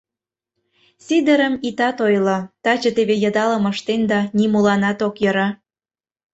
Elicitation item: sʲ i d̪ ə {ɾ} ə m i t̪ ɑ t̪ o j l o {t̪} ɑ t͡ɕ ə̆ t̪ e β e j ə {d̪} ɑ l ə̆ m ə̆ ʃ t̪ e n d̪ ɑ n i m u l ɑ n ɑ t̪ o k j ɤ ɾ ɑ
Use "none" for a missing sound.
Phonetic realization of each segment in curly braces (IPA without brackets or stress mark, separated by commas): ɾ, t̪, d̪